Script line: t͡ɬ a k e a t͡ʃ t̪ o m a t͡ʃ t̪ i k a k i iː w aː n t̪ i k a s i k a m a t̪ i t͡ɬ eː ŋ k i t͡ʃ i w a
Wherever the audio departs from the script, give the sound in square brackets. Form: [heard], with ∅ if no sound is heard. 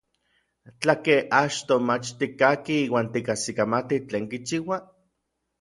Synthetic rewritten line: t͡ɬ a k e a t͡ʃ t̪ o m a t͡ʃ t̪ i k a k i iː w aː n t̪ i k a s i k a m a t̪ i t͡ɬ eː ŋ k i t͡ʃ i w a